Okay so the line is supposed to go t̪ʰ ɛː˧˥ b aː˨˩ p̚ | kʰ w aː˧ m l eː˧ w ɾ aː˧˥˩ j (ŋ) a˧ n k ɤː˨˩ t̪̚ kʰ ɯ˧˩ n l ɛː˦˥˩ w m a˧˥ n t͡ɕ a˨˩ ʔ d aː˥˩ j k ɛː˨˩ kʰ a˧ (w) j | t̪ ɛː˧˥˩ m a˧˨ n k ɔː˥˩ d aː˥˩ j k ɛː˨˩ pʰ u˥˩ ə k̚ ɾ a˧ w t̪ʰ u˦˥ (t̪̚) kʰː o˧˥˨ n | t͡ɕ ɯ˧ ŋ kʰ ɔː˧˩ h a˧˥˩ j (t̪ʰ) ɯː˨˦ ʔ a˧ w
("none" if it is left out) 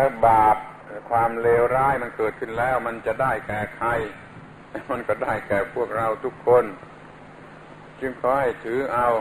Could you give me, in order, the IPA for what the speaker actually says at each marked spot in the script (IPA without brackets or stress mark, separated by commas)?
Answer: m, none, none, t̪ʰ